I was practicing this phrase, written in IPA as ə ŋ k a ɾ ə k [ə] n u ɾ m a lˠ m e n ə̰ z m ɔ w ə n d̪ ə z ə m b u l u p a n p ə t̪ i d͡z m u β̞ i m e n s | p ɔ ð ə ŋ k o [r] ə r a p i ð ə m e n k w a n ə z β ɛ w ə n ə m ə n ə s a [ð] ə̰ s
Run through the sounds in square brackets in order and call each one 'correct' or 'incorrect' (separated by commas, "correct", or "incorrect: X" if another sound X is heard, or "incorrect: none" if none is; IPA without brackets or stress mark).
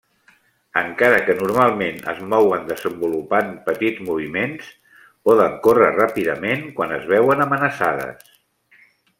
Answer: correct, correct, correct